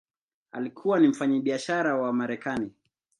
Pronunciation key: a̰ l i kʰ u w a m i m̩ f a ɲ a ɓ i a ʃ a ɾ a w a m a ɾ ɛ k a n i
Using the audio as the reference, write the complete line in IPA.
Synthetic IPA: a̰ l i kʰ u w a n i m̩ f a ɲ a ɓ i a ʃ a ɾ a w a m a ɾ ɛ k a n i